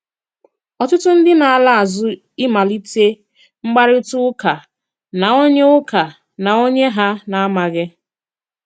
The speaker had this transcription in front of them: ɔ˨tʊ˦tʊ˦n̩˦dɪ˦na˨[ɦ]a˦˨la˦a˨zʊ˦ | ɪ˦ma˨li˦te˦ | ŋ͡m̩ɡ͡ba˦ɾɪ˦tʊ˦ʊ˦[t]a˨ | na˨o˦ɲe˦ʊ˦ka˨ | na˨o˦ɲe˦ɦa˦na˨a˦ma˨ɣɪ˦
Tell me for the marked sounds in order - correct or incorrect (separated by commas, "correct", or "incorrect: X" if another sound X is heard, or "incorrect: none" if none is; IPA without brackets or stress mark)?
incorrect: none, incorrect: k